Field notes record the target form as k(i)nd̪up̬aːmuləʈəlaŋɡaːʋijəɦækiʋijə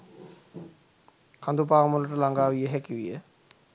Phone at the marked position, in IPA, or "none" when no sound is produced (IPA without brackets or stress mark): a